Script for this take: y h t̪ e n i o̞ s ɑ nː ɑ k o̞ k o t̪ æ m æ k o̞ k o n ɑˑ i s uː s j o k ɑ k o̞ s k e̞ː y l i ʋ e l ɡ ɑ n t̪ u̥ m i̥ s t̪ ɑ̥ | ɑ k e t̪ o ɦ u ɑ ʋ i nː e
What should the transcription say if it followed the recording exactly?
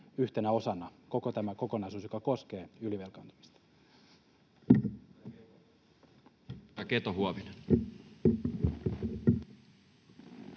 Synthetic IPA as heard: y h t̪ e n æ o̞ s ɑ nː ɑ k o̞ k o t̪ æ m æ k o̞ k o n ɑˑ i s uː s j o k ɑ k o̞ s k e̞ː y l i ʋ e l k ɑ n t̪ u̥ m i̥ s t̪ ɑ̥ | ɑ k e t̪ o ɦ u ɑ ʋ i n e